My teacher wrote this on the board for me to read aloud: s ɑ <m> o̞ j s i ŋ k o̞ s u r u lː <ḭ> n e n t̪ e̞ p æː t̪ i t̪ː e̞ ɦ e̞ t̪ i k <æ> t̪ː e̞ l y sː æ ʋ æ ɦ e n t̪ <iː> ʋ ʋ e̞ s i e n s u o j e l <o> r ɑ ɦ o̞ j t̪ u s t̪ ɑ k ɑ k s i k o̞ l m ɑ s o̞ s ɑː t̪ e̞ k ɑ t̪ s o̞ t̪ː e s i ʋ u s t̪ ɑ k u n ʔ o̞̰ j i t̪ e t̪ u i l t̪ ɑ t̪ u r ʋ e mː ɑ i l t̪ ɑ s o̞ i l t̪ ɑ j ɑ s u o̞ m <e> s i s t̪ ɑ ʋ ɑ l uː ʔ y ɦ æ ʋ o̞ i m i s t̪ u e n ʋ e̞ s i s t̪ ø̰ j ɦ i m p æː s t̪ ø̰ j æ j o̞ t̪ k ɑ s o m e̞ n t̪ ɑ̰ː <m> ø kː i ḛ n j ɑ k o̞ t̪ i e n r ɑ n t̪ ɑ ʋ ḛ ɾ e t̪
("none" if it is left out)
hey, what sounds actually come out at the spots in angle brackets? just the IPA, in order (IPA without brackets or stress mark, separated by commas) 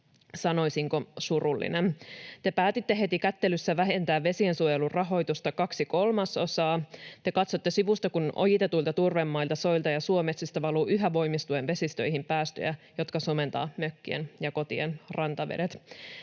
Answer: n, ḭ, æ, æː, u, e, m